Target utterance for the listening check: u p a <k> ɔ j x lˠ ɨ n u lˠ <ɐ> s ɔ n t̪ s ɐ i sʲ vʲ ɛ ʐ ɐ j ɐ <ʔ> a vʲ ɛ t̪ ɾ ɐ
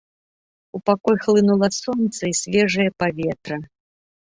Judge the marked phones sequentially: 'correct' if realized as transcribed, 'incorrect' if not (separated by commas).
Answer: correct, correct, incorrect